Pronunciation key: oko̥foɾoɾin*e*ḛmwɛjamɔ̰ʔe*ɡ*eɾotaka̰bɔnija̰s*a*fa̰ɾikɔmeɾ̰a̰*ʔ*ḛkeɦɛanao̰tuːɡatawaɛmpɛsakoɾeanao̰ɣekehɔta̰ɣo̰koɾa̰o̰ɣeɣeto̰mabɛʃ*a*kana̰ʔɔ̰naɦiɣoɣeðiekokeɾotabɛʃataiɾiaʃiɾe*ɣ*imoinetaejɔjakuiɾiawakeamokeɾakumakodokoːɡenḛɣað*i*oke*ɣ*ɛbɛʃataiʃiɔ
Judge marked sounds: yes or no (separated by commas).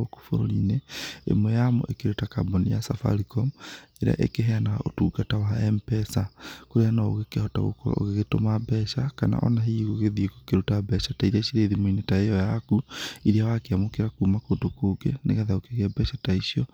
yes, no, yes, yes, yes, no, no, yes